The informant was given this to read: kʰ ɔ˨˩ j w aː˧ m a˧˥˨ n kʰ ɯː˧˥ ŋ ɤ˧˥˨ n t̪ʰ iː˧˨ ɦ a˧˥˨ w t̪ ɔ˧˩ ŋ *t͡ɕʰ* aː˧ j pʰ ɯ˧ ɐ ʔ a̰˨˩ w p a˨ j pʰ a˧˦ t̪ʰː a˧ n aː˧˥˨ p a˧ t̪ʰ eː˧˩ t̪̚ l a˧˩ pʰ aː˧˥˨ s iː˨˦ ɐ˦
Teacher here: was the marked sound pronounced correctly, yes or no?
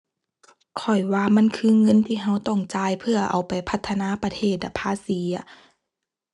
no